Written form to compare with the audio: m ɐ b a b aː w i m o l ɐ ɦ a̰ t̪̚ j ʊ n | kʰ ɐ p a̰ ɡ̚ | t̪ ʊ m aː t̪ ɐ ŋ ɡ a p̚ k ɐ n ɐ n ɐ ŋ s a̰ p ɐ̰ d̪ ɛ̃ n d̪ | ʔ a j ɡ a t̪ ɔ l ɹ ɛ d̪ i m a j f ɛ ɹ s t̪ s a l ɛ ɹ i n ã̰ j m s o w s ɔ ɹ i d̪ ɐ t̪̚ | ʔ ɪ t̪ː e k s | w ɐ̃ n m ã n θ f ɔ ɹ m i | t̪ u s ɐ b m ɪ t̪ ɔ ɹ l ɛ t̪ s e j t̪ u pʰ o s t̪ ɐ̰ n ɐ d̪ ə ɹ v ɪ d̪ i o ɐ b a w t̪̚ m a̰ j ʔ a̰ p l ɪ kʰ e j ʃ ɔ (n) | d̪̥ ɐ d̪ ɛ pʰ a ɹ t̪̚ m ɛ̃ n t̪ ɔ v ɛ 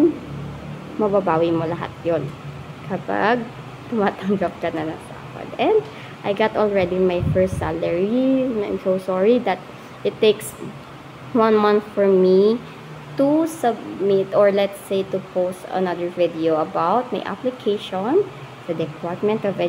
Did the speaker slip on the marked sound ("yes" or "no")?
no